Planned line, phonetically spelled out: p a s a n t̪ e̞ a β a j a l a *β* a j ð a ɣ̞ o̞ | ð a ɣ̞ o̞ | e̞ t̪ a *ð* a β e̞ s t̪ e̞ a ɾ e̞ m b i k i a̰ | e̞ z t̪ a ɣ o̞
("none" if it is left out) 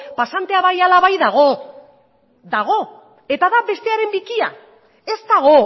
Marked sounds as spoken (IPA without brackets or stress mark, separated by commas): β, ð